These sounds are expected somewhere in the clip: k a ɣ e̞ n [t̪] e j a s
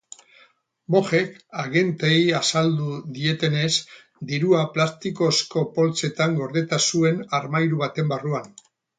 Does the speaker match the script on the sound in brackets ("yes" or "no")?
yes